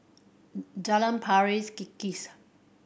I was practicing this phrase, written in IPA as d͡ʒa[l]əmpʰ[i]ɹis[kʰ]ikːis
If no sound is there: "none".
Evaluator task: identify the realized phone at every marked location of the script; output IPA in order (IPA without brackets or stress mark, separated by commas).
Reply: l, a, k